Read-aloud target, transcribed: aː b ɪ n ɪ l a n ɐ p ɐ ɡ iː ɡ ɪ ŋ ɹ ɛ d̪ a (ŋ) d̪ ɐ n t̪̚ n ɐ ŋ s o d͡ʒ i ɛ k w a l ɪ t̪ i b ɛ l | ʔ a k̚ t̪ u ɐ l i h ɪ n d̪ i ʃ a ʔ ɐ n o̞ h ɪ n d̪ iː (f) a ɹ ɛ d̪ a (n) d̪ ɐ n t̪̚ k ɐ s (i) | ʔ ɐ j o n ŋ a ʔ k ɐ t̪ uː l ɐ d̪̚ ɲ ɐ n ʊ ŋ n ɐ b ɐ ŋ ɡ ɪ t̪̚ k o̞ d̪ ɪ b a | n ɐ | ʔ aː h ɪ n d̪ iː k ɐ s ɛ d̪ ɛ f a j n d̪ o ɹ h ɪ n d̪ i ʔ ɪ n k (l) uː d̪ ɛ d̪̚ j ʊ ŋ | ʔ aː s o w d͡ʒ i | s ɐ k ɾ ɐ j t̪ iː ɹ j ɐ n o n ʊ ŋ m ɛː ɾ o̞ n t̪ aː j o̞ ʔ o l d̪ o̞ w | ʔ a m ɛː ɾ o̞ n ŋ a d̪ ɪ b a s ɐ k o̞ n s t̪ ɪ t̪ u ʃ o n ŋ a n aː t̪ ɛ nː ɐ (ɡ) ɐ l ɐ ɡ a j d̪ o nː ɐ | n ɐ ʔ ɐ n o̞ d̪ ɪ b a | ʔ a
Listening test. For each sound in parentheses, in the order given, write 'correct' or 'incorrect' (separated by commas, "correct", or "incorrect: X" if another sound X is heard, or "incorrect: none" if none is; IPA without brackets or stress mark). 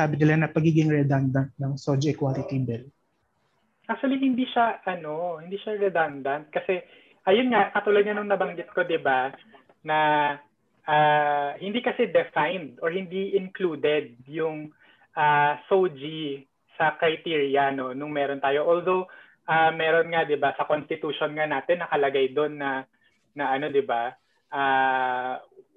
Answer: incorrect: n, incorrect: ʃ, correct, incorrect: ɛ, correct, incorrect: k